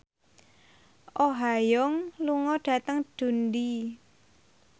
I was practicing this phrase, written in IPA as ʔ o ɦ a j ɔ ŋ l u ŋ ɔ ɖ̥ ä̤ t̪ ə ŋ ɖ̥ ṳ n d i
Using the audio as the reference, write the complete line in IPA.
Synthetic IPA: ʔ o ɦ a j ɔ ŋ l u ŋ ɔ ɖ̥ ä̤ t̪ ə ŋ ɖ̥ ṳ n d i